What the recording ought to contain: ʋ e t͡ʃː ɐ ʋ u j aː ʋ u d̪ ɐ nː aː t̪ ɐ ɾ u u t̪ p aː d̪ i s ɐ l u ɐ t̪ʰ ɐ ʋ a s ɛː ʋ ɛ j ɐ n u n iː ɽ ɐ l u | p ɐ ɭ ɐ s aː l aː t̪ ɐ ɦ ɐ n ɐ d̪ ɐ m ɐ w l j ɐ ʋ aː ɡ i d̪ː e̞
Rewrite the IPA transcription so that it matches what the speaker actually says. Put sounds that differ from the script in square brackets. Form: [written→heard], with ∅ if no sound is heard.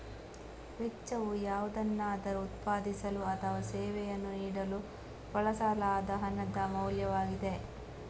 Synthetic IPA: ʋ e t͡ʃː ɐ ʋ u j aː ʋ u d̪ ɐ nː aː [t̪→d̪] ɐ ɾ u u t̪ p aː d̪ i s ɐ l u ɐ t̪ʰ ɐ ʋ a s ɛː ʋ ɛ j ɐ [n→nː] u n iː ɽ ɐ l u | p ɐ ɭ ɐ s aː l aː [t̪→d̪] ɐ ɦ ɐ n ɐ d̪ ɐ m ɐ w l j ɐ ʋ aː ɡ i [d̪ː→d̪] e̞

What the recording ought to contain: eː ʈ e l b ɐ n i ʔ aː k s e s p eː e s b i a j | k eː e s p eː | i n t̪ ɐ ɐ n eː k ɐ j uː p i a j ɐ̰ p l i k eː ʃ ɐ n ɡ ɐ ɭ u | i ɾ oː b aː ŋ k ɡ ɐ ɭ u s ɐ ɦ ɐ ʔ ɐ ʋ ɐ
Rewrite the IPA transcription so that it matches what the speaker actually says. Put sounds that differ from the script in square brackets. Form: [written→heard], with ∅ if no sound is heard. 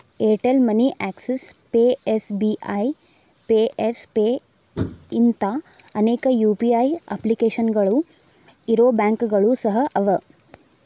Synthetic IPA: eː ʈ e l [b→m] ɐ n i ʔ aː k s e s p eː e s b i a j | [k→p] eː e s p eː | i n t̪ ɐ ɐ n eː k ɐ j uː p i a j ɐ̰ p l i k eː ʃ ɐ n ɡ ɐ ɭ u | i ɾ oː b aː ŋ k ɡ ɐ ɭ u s ɐ ɦ ɐ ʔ ɐ ʋ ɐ

